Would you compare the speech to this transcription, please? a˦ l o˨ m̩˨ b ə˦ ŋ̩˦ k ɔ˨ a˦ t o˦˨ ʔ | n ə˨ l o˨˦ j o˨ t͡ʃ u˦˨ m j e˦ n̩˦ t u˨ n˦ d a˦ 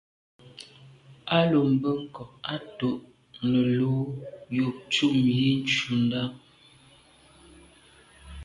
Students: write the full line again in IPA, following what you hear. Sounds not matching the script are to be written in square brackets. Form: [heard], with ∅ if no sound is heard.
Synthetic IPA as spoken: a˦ l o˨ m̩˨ b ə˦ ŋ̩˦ k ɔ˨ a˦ t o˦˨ ʔ | n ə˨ l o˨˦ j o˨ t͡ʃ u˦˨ m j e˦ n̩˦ [t͡ʃ] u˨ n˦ d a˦